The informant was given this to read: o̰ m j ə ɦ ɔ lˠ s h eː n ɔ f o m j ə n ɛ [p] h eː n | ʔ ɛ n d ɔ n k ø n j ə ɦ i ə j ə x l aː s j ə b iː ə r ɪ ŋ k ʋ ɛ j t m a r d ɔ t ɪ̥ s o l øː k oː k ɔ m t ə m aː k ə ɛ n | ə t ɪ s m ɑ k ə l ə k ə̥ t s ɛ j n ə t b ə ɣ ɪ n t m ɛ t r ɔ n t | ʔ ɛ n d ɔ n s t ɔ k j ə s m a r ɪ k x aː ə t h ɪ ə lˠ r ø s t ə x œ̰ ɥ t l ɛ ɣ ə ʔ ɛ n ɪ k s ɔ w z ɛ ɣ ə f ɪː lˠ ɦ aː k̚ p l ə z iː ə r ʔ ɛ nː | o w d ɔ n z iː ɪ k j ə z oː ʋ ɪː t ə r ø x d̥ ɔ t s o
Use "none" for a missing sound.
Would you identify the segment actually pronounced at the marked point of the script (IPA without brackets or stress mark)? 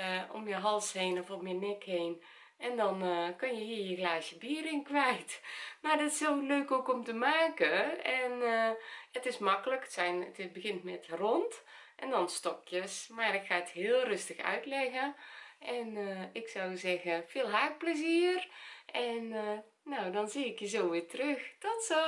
k